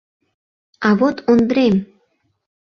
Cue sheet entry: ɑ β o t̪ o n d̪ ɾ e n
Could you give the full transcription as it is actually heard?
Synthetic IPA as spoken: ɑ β o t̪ o n d̪ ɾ e m